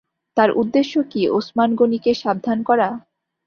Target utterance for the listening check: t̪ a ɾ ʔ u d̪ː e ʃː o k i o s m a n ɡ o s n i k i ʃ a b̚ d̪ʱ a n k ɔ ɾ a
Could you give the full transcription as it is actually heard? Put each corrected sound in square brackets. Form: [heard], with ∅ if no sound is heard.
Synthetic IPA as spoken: t̪ a ɾ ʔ u d̪ː e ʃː o k i o s m a n ɡ o [∅] n i k [e] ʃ a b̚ d̪ʱ a n k ɔ ɾ a